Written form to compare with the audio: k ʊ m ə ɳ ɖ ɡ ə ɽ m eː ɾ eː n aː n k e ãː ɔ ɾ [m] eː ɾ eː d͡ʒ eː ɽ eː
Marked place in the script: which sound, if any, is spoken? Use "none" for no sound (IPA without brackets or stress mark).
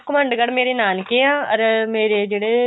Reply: m